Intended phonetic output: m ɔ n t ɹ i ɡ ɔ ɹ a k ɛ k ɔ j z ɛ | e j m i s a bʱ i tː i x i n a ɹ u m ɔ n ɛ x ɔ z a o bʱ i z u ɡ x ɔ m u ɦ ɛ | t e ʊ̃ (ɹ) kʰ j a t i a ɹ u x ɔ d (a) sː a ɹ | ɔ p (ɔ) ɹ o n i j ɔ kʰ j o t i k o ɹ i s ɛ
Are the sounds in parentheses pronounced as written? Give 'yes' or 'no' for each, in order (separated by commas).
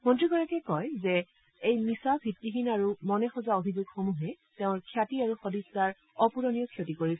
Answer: yes, no, no